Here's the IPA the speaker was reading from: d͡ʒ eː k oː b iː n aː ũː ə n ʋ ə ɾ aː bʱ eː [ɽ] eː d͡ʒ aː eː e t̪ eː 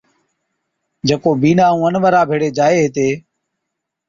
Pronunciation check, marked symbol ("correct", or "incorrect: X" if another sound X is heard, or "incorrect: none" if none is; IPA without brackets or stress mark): correct